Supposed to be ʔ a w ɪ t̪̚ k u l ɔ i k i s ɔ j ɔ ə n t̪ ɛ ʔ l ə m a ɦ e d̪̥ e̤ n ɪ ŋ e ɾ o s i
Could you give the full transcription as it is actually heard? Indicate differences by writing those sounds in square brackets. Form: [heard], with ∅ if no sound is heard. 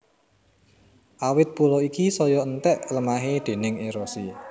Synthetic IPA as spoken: ʔ a w ɪ t̪̚ [p] u l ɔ i k i s ɔ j ɔ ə n t̪ ɛ ʔ l ə m a ɦ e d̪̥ e̤ n ɪ ŋ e ɾ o s i